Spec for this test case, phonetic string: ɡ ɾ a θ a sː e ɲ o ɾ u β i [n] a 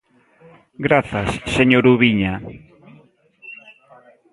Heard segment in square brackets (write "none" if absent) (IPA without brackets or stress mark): ɲ